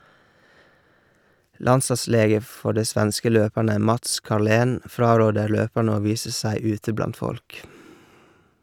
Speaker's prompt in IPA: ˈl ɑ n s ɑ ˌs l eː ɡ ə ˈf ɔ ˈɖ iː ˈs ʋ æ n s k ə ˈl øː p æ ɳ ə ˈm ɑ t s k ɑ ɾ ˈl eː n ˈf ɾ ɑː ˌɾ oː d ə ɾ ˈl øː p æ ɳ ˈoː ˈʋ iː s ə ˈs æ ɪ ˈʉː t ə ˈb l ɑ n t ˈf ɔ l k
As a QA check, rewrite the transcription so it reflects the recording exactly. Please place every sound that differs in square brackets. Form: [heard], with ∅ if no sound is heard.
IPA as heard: ˈl ɑ n s ɑ ˌs l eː ɡ ə ˈf ɔ ˈɖ iː ˈs ʋ æ n s k ə ˈl øː p æ ɳ ə ˈm ɑ t s k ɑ ɾ ˈl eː n ˈf ɾ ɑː ˌɾ oː d ə ɾ ˈl øː p æ ɳ ˈoː ˈʋ iː s ə ˈs æ ɪ ˈʉː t ə ˈb l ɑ n t ˈf ɔ l k